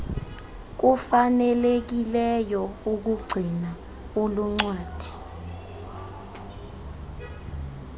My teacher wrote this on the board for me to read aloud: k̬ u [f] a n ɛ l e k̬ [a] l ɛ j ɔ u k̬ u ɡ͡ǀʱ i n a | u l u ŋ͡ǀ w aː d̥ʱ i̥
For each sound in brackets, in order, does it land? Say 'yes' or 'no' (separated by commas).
yes, no